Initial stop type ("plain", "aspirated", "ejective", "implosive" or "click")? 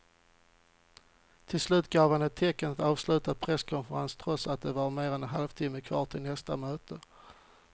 aspirated